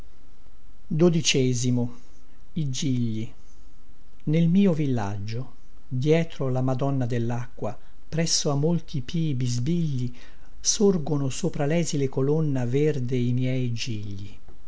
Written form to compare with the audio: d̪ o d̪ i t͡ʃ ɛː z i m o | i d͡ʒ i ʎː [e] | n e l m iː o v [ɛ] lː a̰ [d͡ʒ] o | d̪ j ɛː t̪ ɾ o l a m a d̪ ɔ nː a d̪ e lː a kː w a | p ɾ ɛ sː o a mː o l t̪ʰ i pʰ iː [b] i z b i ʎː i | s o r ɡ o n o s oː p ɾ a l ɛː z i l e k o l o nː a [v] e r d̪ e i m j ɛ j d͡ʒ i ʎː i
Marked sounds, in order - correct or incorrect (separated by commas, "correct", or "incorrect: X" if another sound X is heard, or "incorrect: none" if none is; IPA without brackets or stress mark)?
incorrect: i, incorrect: i, incorrect: d͡ʒː, correct, correct